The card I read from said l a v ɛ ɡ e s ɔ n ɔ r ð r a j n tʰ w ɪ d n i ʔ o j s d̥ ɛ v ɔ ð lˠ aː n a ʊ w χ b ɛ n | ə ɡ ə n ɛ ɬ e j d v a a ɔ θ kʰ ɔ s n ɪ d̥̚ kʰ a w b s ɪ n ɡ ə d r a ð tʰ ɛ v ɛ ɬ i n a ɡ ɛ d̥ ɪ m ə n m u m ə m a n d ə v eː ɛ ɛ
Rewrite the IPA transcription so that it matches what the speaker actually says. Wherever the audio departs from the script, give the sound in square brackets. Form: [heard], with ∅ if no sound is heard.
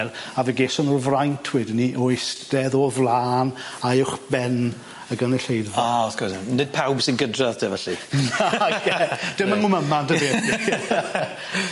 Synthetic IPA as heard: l a v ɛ ɡ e s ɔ n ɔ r [v] r a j n tʰ w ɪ d n i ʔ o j s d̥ ɛ [ð] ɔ [v] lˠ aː n a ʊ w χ b ɛ n | ə ɡ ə n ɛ ɬ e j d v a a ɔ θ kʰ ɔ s n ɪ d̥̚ [pʰ] a w b s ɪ n ɡ ə d r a ð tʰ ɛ v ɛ ɬ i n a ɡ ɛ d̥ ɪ m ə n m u m ə m a n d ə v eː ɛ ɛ